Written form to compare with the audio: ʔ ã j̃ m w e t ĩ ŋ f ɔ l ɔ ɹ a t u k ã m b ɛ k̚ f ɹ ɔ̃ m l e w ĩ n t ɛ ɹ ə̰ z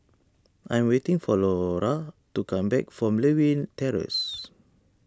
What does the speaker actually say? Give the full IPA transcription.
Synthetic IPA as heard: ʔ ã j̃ m w e t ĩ ŋ f ɔ l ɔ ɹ a t u k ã m b ɛ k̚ f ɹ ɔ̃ m l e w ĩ n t ɛ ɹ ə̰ s